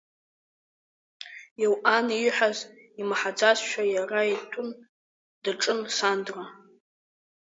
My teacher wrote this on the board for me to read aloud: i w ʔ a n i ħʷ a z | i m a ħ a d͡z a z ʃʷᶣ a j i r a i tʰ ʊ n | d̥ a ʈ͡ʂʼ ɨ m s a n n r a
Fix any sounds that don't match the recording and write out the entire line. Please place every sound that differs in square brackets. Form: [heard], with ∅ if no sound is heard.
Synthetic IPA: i w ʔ a n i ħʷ a z | i m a ħ a d͡z a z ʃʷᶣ a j [a] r a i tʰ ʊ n | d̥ a ʈ͡ʂʼ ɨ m s a n [d] r a